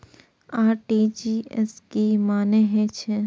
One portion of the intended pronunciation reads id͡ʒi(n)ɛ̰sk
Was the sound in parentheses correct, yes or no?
no